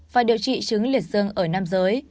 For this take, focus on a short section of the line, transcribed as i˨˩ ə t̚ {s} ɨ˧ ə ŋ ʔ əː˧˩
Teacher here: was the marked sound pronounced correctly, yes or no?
no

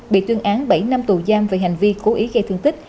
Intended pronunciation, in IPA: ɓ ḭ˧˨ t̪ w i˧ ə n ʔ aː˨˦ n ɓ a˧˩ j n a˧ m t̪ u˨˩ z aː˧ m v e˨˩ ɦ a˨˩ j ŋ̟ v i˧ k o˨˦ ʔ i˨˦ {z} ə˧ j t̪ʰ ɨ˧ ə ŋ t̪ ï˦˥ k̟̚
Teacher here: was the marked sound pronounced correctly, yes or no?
no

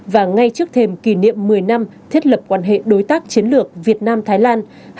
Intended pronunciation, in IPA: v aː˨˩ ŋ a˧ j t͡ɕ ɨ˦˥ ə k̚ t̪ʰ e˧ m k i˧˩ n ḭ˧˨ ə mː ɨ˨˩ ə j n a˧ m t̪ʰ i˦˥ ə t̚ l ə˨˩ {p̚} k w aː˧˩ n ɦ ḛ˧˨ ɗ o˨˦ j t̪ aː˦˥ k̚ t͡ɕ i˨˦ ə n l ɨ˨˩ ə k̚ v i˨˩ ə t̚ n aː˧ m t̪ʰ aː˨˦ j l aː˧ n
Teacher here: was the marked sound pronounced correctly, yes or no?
yes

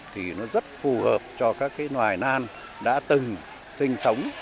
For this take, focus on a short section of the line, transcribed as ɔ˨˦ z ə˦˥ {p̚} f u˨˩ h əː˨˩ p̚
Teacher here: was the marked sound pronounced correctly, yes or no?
no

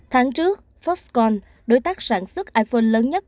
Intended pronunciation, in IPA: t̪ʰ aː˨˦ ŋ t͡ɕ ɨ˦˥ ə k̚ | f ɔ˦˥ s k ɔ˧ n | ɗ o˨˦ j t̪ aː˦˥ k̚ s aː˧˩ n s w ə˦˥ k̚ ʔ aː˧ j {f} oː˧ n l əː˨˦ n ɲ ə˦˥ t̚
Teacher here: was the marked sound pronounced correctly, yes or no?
yes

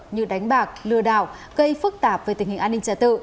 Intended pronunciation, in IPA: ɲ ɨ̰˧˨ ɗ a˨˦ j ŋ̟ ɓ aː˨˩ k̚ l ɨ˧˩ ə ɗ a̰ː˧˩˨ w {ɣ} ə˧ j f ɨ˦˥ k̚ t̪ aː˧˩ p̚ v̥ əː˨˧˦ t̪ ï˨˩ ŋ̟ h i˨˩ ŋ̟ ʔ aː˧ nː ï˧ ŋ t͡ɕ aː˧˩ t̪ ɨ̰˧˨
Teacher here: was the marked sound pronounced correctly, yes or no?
yes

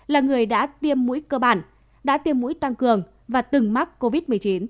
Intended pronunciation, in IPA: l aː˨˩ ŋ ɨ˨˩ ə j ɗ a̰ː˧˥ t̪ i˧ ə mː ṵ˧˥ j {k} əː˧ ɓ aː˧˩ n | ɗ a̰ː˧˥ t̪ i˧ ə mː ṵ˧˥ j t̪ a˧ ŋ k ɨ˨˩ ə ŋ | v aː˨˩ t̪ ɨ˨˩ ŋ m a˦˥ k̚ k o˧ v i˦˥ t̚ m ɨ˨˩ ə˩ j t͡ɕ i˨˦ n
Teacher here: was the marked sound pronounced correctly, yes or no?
yes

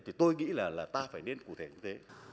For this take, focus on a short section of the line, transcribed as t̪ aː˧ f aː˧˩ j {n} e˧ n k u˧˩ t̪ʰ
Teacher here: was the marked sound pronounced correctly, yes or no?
yes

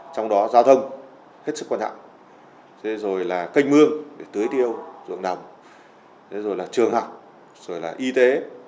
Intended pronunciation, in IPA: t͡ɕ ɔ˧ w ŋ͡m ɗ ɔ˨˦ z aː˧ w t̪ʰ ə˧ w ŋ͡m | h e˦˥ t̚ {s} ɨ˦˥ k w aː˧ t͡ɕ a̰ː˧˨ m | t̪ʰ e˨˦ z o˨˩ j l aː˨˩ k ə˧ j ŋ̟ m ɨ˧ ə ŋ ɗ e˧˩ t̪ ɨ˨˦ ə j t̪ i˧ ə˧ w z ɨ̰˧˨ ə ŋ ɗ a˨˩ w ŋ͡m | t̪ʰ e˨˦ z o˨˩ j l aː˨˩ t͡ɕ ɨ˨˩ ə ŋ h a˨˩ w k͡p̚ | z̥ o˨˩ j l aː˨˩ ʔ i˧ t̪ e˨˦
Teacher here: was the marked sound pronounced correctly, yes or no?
yes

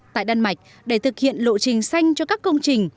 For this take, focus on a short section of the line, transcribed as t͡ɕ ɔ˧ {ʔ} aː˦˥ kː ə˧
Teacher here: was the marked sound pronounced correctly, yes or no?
no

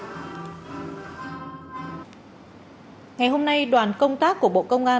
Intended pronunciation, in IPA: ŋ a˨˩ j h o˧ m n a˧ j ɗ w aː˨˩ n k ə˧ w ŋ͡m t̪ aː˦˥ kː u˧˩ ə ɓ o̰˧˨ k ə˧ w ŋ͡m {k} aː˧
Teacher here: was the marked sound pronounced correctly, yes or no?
no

